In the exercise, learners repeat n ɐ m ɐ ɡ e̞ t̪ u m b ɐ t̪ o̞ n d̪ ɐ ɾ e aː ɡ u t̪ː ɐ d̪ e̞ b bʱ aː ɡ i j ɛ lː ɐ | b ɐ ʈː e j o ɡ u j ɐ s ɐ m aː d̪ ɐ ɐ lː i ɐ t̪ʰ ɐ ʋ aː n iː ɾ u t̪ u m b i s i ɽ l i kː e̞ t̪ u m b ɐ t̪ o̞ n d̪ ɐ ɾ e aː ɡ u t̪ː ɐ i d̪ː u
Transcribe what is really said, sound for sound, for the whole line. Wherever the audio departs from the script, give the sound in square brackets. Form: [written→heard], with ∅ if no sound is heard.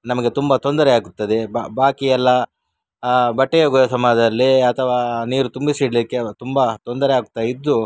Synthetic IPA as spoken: n ɐ m ɐ ɡ e̞ t̪ u m b ɐ t̪ o̞ n d̪ ɐ ɾ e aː ɡ u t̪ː ɐ d̪ e̞ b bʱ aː [ɡ→k] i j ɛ lː ɐ | b ɐ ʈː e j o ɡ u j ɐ s ɐ m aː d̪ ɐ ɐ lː i ɐ t̪ʰ ɐ ʋ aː n iː ɾ u t̪ u m b i s i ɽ l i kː e̞ t̪ u m b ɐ t̪ o̞ n d̪ ɐ ɾ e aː ɡ u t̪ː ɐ i d̪ː u